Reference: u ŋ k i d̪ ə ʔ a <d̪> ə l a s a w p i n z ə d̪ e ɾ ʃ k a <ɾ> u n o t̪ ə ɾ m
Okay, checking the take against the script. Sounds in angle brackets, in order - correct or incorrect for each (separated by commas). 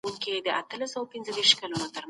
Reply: incorrect, incorrect